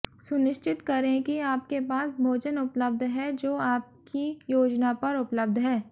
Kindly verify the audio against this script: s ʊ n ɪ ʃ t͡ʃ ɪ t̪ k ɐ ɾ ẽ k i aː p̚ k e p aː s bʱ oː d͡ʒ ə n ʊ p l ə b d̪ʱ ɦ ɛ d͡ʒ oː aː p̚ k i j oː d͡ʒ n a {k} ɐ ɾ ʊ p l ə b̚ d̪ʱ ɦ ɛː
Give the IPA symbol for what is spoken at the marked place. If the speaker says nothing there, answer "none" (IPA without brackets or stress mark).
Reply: p